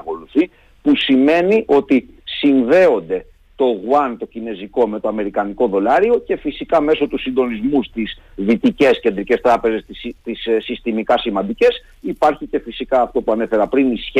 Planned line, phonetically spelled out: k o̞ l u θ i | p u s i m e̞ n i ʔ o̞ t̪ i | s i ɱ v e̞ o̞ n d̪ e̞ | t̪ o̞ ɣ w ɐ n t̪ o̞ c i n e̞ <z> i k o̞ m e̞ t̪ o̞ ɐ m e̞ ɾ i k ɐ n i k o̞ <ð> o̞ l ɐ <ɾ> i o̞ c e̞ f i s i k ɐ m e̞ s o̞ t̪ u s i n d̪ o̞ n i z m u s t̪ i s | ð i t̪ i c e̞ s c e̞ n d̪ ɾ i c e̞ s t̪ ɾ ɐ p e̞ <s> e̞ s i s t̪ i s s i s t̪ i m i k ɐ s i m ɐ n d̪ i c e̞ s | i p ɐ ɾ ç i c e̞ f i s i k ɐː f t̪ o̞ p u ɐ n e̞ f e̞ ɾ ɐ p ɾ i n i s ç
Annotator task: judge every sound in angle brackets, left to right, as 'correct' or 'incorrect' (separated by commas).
correct, correct, correct, incorrect